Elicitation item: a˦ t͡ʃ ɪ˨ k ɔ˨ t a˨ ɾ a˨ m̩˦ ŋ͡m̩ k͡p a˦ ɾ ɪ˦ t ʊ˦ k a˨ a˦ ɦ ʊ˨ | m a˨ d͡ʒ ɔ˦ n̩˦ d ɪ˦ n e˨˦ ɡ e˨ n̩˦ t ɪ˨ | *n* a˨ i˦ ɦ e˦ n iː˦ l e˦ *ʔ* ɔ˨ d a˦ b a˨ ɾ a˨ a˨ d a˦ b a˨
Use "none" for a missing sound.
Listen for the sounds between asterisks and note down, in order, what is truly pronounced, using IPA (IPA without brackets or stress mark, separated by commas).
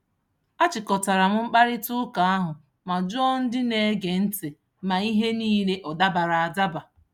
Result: m, ʔ